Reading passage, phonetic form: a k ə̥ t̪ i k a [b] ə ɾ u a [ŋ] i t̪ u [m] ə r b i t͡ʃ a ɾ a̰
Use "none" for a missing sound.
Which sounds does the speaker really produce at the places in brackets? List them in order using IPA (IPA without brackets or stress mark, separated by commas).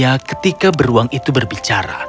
b, ŋ, b